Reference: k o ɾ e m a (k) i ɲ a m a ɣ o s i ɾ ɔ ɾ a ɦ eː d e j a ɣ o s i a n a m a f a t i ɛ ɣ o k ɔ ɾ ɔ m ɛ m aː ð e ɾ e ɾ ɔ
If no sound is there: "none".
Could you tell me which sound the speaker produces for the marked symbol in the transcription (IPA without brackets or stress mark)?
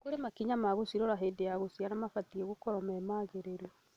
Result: k